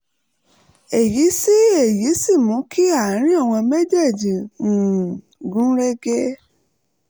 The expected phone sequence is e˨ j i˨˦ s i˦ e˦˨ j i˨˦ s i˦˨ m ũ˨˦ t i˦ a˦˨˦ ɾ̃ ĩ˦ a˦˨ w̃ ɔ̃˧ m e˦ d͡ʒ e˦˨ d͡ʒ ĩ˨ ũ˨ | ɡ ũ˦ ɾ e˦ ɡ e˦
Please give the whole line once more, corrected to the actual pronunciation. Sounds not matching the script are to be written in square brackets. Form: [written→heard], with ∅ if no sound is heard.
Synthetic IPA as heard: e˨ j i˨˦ s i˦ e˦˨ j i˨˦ s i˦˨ m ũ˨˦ [t→k] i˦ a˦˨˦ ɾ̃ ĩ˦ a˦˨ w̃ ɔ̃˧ m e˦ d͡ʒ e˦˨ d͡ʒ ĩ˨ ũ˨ | ɡ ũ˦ ɾ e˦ ɡ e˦